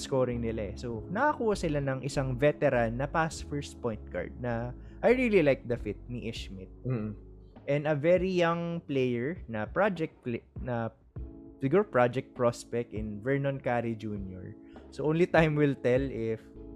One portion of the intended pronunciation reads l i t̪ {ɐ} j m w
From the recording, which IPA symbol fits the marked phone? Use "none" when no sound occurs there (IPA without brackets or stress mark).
a